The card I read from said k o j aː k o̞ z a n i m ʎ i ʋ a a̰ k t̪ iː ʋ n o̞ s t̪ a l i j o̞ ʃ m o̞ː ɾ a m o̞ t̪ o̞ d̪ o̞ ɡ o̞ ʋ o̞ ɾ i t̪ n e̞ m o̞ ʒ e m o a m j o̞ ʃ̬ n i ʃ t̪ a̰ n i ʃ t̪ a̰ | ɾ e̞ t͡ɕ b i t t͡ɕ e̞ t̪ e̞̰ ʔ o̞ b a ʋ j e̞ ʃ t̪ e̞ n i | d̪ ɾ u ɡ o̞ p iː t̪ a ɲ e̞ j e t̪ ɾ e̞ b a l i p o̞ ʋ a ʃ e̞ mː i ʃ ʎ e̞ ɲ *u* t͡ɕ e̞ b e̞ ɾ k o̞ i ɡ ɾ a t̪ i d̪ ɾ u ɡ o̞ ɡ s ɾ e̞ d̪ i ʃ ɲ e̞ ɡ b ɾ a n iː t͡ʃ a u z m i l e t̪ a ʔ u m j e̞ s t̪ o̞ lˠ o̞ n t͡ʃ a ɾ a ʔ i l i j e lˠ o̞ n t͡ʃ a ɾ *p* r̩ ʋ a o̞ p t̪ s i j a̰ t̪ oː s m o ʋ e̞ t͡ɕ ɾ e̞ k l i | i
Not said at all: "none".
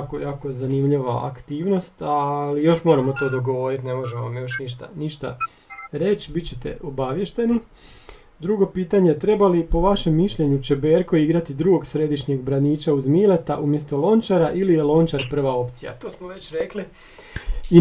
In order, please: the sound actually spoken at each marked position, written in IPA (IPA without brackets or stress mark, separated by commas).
u, p